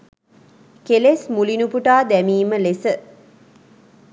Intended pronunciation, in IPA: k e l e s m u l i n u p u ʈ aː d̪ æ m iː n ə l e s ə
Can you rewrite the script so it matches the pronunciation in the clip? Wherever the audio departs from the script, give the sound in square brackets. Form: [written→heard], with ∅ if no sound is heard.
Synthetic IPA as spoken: k e l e s m u l i n u p u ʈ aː d̪ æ m iː [n→m] ə l e s ə